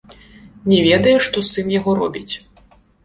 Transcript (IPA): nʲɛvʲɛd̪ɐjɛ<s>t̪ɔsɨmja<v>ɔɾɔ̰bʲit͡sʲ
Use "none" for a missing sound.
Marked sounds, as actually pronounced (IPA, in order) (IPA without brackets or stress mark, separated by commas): ʂ, ɣ